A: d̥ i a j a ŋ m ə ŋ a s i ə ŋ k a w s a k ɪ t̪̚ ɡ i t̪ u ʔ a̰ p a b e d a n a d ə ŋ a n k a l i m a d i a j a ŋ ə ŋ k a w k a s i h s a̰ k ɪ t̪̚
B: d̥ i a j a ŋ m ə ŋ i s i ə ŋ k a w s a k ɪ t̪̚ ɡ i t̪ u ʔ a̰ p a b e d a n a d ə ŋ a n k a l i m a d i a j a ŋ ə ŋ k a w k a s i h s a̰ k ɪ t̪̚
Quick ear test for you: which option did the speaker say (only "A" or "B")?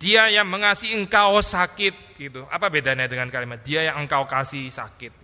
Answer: A